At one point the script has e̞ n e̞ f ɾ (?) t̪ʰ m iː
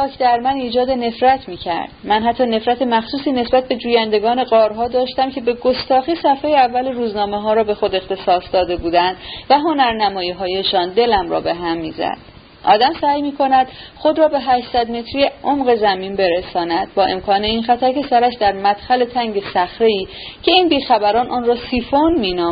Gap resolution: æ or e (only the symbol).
æ